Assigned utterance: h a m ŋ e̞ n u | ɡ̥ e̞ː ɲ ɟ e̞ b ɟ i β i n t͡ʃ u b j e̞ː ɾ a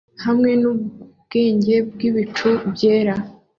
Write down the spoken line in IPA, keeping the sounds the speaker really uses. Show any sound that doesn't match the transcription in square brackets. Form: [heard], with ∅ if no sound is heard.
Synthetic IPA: h a m ŋ e̞ n u | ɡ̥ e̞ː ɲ ɟ e̞ b [ɡ] i β i [∅] t͡ʃ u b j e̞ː ɾ a

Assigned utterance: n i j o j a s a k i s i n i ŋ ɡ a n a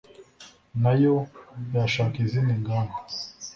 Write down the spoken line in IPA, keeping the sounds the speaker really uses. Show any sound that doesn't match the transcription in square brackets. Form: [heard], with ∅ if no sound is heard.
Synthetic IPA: n [a] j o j a [ʃ] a k i [z] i n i ŋ ɡ a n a

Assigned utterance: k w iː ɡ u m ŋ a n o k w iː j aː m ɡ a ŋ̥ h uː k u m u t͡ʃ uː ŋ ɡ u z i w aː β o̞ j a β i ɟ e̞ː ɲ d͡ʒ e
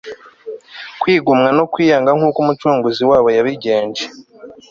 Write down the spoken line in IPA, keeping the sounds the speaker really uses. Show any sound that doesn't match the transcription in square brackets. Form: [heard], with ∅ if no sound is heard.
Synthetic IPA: k w iː ɡ u m ŋ a n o k w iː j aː [ŋ] ɡ a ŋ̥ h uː k u m u t͡ʃ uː ŋ ɡ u z i w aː β o̞ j a β i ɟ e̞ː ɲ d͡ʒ e

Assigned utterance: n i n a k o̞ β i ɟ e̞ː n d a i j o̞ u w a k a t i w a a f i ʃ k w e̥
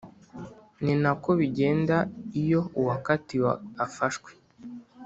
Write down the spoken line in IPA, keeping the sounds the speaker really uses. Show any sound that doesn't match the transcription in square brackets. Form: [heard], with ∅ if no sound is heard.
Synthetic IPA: n i n a k o̞ β i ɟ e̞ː n d a i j o̞ u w a k a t i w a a f [a] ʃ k w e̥

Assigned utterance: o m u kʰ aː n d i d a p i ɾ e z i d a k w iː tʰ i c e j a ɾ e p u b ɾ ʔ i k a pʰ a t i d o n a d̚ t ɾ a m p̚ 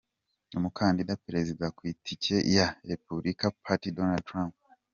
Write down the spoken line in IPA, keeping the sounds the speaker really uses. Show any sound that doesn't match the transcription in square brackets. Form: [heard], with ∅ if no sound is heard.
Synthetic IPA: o m u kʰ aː n d i d a p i ɾ e z i d a k w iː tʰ i c e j a ɾ e p u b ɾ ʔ i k a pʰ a t i d o n a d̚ t ɾ a m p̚

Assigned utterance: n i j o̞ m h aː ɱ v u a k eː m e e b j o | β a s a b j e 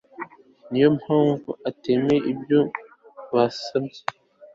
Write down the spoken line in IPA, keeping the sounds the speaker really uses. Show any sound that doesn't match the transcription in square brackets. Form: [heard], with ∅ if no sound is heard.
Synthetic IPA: n i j o̞ m h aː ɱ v u a [t] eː m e [i] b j o | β a s a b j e

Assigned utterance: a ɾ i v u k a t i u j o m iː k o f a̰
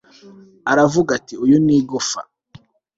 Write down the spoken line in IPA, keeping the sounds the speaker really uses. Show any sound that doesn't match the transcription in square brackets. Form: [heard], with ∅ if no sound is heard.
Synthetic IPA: a ɾ [a] v u [ɡ] a t i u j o [n] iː [ɡ] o f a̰

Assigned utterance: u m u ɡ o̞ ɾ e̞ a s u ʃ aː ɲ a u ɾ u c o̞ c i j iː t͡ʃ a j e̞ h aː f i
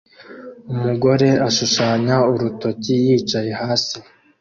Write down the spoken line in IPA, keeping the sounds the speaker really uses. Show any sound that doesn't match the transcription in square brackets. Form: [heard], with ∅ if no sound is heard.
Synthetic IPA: u m u ɡ o̞ ɾ e̞ a [ʃ] u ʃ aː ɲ a u ɾ u [t] o̞ c i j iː t͡ʃ a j e̞ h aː [s] i

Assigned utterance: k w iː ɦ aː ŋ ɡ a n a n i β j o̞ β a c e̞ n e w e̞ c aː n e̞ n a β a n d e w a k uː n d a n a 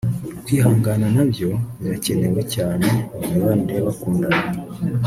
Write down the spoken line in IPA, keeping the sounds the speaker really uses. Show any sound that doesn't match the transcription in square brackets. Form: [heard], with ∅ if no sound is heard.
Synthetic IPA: k w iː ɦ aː ŋ ɡ a n a n [a] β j o̞ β a c e̞ n e w e̞ c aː n e̞ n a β a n d e [β] a k uː n d a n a

